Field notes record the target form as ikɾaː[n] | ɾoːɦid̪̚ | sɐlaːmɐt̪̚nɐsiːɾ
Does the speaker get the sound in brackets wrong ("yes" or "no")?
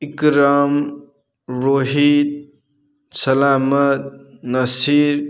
yes